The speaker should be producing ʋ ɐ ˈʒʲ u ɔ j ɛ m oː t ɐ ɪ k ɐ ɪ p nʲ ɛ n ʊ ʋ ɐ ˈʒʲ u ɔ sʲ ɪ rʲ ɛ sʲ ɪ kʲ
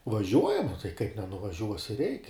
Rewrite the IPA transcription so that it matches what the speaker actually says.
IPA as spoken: ʋ ɐ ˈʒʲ u ɔ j ɛ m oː t ɐ ɪ k ɐ ɪ p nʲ ɛ n ʊ ʋ ɐ ˈʒʲ u ɔ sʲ ɪ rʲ ɛ ɪ kʲ